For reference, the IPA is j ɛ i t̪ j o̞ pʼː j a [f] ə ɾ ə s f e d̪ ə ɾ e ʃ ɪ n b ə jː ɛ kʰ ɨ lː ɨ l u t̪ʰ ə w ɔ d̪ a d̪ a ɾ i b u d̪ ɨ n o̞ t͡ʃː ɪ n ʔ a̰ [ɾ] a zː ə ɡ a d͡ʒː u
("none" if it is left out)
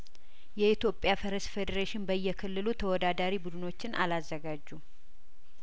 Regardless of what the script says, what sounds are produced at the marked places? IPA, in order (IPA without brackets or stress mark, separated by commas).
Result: f, l